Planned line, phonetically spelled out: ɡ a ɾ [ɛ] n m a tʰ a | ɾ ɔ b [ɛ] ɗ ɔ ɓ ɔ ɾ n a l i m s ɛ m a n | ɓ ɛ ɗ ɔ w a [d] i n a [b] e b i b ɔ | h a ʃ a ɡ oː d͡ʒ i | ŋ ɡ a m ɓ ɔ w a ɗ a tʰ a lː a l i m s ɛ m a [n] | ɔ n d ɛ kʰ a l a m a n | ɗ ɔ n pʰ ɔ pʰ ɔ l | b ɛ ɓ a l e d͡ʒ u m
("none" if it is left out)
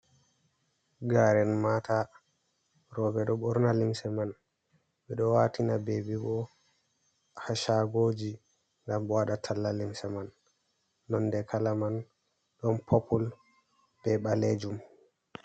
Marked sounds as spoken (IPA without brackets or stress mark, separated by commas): ɛ, ɛ, t, b, nː